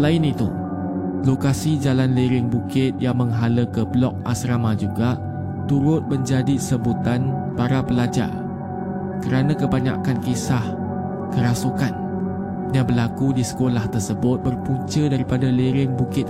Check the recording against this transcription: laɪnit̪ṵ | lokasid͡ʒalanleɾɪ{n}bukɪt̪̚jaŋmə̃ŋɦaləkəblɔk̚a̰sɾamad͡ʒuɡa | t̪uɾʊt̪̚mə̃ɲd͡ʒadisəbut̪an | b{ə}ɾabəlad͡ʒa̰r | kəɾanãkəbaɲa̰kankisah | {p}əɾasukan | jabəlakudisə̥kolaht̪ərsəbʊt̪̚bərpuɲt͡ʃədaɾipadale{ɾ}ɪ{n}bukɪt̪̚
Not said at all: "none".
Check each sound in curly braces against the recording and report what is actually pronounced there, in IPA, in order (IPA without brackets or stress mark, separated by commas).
ŋ, a, k, ɾ, ŋ